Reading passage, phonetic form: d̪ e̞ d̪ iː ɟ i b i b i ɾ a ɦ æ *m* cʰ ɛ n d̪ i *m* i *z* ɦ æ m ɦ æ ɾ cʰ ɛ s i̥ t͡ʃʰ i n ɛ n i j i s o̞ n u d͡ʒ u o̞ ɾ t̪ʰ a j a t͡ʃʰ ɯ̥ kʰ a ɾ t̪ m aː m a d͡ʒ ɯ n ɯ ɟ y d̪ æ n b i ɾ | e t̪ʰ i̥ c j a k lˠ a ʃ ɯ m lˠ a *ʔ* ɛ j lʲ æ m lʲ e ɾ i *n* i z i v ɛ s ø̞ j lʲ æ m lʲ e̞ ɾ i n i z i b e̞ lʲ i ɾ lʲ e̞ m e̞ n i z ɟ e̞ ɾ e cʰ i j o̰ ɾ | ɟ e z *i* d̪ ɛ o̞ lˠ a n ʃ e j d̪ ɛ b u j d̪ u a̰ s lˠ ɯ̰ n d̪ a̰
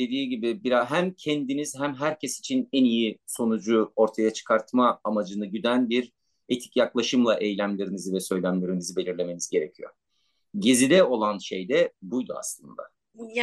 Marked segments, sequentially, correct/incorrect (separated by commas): correct, incorrect, correct, correct, correct, correct